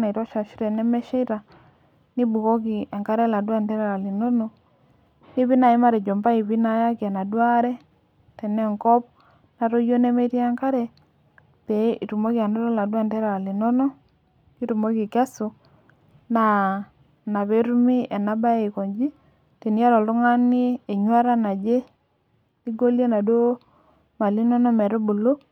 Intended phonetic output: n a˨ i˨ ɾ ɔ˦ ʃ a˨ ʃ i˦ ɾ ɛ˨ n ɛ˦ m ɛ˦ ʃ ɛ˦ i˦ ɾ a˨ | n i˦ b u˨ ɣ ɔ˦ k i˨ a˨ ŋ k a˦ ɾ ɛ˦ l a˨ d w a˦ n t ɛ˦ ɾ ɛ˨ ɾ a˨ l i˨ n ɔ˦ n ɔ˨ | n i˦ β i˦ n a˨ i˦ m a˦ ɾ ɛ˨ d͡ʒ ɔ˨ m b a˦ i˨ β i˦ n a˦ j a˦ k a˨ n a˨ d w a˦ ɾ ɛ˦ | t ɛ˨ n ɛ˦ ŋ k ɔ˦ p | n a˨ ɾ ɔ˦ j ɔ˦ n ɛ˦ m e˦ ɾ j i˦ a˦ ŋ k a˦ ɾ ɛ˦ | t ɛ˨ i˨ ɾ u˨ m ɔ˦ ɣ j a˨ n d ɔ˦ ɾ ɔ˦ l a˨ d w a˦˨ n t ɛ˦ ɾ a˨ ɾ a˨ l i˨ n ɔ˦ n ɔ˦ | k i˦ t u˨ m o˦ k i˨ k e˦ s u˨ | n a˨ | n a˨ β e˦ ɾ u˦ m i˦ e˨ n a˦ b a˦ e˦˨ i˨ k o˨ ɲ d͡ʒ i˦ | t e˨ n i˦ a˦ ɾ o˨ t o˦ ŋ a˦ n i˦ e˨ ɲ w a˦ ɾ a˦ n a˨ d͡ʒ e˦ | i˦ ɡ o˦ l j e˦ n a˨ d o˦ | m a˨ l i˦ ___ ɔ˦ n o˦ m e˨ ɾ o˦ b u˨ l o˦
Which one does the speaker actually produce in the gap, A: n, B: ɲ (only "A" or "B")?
A